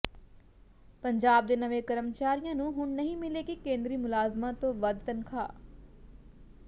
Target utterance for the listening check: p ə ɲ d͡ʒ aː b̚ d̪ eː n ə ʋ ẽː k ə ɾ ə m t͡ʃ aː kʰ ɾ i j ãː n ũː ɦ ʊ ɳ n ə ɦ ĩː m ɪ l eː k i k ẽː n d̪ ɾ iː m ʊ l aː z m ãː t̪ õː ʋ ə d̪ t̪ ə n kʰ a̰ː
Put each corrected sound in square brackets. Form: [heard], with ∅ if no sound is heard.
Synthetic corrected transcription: p ə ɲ d͡ʒ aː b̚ d̪ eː n ə ʋ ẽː k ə ɾ ə m t͡ʃ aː [∅] ɾ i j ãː n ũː ɦ ʊ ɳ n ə ɦ ĩː m ɪ l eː k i k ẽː n d̪ ɾ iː m ʊ l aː z m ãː t̪ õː ʋ ə d̪ t̪ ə n kʰ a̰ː